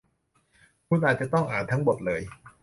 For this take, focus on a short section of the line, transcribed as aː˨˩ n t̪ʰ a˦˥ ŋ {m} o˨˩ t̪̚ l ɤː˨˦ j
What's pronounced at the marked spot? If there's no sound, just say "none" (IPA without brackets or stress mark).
b